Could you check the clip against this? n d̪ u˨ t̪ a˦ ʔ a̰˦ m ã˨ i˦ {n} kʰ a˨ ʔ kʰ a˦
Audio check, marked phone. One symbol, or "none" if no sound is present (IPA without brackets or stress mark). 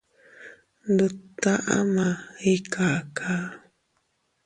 none